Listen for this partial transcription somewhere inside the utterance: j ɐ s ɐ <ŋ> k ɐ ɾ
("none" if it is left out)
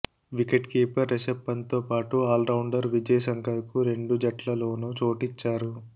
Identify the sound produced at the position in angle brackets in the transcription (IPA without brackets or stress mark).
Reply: ŋ